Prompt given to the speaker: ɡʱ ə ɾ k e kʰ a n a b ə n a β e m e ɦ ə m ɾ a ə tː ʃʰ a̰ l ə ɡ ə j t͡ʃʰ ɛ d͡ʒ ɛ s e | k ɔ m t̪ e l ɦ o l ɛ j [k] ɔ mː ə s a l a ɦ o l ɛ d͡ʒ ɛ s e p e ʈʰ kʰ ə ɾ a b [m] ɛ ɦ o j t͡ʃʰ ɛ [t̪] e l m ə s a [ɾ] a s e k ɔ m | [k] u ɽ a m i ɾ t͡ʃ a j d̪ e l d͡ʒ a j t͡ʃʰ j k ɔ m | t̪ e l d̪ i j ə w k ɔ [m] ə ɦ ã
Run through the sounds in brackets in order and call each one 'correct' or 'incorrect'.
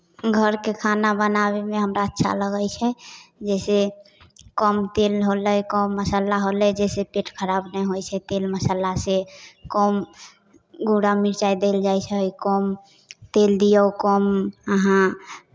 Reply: correct, incorrect: n, correct, incorrect: l, incorrect: ɡ, correct

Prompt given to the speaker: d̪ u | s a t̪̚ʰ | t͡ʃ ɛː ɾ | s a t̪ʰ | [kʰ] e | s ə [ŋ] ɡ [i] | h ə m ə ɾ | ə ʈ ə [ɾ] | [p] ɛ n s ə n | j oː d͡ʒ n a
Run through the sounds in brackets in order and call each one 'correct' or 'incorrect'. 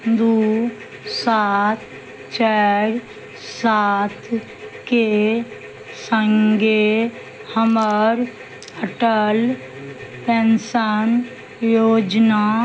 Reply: incorrect: k, correct, incorrect: e, incorrect: l, correct

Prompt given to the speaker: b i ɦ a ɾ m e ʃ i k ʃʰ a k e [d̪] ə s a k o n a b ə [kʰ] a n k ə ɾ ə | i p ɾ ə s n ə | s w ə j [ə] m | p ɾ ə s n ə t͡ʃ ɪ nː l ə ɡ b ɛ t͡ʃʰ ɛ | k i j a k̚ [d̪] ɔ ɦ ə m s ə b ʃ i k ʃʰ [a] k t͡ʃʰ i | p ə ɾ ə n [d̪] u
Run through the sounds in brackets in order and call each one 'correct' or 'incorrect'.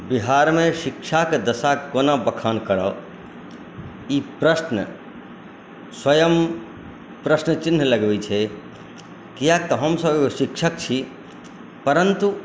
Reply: correct, correct, correct, incorrect: t̪, incorrect: ə, incorrect: t̪

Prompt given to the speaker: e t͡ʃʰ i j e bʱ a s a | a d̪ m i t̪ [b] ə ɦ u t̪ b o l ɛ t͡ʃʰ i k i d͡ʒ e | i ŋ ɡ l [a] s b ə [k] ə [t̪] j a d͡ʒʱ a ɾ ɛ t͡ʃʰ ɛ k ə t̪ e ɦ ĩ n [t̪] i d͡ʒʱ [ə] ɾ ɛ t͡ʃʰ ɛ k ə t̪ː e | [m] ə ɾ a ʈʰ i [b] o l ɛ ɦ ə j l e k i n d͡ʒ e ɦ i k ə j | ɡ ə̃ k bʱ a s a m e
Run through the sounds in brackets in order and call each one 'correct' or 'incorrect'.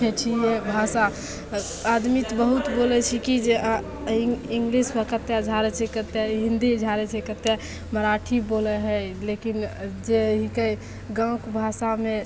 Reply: correct, incorrect: i, correct, correct, incorrect: d̪, incorrect: a, correct, correct

